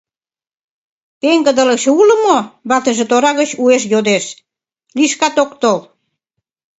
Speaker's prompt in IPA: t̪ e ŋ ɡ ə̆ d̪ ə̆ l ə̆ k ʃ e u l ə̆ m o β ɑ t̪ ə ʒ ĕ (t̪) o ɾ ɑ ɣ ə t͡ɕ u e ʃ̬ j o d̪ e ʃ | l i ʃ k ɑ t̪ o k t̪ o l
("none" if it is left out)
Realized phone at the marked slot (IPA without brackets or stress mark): t̪